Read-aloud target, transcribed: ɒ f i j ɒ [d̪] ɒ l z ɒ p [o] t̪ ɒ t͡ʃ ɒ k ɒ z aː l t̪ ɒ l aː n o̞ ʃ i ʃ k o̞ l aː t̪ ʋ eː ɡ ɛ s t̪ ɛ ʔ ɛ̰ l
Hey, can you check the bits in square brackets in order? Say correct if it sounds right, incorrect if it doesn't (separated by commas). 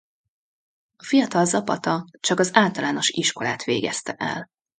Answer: incorrect, incorrect